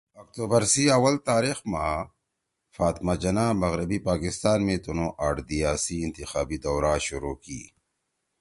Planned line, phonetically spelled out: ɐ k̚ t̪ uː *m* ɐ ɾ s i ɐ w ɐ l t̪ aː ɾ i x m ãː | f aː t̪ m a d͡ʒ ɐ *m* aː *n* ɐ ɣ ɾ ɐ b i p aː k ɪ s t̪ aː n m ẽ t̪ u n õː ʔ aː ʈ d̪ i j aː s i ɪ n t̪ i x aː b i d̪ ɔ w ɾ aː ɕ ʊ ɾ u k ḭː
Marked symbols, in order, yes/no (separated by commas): no, no, no